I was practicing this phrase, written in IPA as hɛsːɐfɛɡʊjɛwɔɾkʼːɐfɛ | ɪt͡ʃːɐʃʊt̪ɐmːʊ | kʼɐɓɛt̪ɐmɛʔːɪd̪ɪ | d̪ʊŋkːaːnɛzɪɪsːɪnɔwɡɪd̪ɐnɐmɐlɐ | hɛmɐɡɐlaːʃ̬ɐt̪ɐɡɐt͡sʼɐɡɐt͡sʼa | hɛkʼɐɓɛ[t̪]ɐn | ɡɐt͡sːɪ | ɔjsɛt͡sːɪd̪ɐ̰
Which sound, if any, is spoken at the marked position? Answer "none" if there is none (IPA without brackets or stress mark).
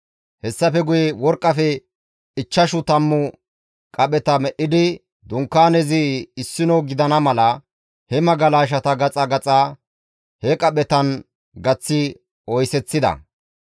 t̪